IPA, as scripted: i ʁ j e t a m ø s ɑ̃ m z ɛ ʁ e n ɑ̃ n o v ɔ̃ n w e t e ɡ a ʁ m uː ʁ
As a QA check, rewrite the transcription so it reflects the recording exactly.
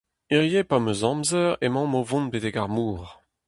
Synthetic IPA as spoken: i ʁ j e p a m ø z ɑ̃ m z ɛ ʁ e m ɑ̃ m o v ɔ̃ n b e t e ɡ a ʁ m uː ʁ